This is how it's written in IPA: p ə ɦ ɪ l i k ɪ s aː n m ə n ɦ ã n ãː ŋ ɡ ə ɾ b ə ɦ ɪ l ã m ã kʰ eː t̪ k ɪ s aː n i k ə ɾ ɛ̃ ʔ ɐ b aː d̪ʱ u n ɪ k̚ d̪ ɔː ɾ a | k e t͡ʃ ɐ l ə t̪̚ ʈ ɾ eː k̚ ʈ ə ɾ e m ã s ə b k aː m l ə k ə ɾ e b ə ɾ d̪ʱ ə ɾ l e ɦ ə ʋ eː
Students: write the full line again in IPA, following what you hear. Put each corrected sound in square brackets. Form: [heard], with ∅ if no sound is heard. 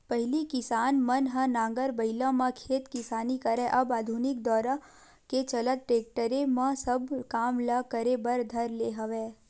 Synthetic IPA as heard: p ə ɦ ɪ l i k ɪ s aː n m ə n ɦ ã n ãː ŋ ɡ ə ɾ b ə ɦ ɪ l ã m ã kʰ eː t̪ k ɪ s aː n i k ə ɾ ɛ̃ ʔ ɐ b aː d̪ʱ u n ɪ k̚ d̪ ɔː ɾ a | k e t͡ʃ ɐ l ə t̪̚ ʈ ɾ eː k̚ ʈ ə ɾ e m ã s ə b k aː m l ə k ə ɾ e b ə ɾ d̪ʱ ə ɾ l e ɦ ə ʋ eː